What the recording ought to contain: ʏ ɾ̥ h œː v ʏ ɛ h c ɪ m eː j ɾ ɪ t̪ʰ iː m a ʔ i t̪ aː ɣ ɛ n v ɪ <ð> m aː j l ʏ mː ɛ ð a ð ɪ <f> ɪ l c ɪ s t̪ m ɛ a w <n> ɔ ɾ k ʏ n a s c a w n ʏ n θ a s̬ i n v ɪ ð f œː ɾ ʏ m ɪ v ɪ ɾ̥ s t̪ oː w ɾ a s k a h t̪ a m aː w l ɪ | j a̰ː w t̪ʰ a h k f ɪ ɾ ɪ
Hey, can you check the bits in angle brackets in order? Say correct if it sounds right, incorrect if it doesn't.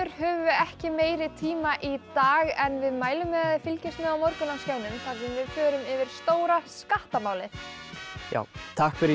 correct, correct, incorrect

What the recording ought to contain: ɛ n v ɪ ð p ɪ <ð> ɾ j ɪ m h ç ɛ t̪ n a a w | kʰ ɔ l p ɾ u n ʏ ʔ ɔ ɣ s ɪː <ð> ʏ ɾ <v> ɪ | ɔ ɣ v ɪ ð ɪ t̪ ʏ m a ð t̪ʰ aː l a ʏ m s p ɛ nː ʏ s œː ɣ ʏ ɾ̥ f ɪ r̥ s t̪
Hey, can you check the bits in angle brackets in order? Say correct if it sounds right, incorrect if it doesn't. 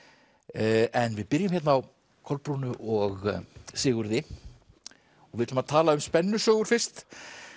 incorrect, incorrect, incorrect

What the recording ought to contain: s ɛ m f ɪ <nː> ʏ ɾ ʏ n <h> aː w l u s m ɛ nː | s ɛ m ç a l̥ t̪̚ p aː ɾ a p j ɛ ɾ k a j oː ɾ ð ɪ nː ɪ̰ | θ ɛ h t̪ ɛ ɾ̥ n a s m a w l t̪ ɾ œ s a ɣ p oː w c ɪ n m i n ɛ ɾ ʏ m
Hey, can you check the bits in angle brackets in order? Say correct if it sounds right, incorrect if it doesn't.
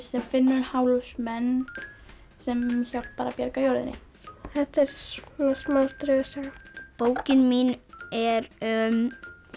correct, correct

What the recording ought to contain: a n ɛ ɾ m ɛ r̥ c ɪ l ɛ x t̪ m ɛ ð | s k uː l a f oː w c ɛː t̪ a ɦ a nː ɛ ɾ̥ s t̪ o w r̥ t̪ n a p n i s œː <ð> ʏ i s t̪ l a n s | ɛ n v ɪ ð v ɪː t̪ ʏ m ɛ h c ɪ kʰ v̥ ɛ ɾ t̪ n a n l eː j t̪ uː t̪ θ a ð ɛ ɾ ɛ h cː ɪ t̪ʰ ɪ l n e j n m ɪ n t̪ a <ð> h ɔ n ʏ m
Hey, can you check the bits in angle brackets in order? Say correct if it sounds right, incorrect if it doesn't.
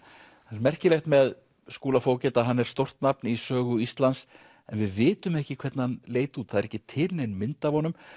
incorrect, incorrect

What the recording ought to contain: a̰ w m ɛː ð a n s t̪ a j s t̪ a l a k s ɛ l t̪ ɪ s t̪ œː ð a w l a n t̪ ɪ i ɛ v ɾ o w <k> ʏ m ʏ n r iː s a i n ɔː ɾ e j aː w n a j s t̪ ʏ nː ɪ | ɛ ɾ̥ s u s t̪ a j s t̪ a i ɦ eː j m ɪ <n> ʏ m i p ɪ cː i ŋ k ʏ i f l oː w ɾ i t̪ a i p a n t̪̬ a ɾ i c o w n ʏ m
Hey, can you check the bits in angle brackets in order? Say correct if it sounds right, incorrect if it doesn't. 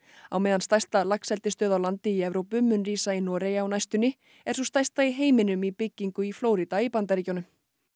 incorrect, correct

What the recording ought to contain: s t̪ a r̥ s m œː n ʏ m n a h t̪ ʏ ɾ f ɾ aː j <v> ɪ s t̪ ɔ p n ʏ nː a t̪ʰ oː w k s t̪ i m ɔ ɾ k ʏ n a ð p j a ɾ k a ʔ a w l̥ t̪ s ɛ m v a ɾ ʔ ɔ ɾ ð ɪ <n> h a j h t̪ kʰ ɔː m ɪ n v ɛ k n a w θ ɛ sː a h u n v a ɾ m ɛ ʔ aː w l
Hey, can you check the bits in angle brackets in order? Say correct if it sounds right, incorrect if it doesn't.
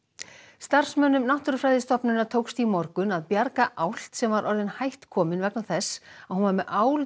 incorrect, correct

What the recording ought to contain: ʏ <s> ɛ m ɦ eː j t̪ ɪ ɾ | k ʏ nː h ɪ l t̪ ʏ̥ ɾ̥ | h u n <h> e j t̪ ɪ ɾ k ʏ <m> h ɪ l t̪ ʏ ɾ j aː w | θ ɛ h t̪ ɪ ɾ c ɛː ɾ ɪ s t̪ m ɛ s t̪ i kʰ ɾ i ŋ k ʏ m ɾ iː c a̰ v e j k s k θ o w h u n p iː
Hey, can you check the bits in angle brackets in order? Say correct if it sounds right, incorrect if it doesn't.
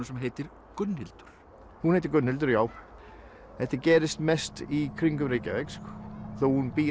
correct, correct, incorrect

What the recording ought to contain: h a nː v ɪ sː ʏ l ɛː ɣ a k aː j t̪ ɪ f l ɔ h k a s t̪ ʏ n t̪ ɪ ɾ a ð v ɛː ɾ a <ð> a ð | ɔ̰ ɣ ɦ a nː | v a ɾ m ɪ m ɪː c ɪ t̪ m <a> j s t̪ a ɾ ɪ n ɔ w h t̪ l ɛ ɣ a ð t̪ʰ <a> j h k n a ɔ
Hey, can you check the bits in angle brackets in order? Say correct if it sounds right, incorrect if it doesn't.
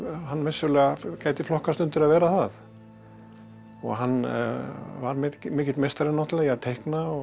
incorrect, incorrect, incorrect

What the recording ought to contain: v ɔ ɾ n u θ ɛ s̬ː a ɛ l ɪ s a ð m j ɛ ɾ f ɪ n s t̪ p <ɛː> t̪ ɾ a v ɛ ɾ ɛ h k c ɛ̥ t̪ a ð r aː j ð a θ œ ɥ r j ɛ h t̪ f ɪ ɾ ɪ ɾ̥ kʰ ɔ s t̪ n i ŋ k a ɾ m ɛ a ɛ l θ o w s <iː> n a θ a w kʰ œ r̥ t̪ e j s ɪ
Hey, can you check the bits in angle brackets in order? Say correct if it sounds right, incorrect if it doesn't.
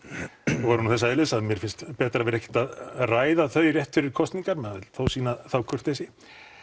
correct, correct

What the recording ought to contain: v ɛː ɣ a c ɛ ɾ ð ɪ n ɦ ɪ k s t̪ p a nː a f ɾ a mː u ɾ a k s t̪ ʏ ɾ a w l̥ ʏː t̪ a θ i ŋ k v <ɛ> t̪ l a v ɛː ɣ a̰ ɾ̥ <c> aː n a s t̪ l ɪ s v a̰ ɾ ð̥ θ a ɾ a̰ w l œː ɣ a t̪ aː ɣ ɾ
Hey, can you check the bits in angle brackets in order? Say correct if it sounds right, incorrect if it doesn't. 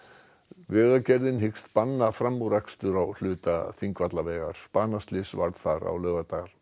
incorrect, incorrect

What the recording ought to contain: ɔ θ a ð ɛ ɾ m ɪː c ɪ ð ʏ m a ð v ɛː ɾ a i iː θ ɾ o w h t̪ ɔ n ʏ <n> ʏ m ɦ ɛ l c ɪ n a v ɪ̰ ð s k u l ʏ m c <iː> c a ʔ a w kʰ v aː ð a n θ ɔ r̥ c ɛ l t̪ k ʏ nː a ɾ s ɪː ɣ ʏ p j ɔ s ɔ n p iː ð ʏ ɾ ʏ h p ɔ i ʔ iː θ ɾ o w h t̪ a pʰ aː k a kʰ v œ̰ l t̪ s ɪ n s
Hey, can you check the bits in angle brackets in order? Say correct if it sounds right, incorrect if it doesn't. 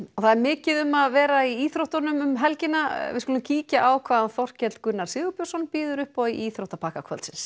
incorrect, correct

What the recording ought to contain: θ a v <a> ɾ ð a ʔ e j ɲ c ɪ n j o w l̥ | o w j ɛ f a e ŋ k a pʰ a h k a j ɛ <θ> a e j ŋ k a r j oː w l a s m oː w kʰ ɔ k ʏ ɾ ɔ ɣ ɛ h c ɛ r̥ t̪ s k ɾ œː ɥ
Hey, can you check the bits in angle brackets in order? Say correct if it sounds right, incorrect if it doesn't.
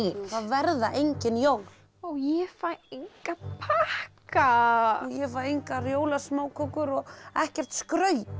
incorrect, incorrect

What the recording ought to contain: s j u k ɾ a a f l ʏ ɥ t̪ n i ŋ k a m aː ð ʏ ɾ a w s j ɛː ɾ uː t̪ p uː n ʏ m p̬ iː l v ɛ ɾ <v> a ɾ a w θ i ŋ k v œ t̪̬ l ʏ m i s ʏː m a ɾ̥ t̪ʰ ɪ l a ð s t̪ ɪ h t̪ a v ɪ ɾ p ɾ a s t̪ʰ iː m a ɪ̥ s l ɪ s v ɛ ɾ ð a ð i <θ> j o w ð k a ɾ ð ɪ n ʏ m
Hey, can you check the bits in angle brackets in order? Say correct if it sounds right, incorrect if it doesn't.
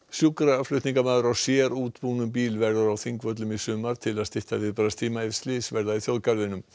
incorrect, correct

